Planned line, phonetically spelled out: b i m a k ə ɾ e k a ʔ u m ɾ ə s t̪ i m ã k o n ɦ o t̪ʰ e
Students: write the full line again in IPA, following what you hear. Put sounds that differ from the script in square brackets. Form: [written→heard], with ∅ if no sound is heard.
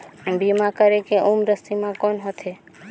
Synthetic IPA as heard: b i m a k ə ɾ e k [a→e] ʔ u m ɾ ə s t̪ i m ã k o n ɦ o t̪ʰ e